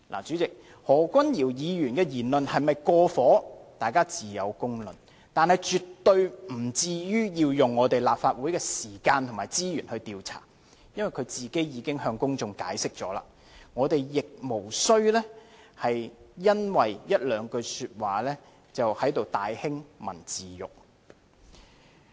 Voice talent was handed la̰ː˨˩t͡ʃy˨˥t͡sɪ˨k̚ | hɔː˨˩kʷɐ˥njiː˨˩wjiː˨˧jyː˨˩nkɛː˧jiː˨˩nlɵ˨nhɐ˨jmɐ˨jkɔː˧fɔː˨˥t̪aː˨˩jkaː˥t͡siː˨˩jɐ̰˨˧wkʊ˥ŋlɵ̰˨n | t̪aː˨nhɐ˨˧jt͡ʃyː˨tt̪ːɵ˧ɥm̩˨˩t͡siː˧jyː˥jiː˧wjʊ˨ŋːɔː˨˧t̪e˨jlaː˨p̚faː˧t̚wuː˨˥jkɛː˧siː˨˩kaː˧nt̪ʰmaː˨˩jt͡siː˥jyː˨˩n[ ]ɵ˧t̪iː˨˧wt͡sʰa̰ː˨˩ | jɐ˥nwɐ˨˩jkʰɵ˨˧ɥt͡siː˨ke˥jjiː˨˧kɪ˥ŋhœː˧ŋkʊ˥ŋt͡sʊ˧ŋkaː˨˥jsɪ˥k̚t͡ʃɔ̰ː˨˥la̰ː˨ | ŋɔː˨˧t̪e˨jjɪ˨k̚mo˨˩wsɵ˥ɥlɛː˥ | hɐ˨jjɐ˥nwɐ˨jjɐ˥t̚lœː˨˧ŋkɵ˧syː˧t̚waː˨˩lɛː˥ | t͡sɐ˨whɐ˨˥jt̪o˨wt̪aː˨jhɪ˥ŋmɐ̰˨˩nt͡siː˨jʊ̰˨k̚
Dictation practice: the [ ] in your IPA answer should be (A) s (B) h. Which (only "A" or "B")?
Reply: B